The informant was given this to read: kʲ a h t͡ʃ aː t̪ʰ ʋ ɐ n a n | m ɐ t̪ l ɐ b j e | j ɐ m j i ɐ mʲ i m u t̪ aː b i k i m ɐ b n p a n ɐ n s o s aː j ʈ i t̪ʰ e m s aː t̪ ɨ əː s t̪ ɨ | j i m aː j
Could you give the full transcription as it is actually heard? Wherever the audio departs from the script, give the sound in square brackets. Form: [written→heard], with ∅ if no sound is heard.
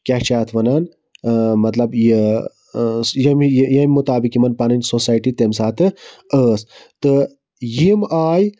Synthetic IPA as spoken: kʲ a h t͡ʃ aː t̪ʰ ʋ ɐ n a n | m ɐ t̪ l ɐ b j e | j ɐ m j [i→j] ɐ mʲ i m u t̪ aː b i k i m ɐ [b→∅] n p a n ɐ n s o s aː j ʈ i [t̪ʰ→t̪] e m s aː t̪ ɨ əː s t̪ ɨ | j i m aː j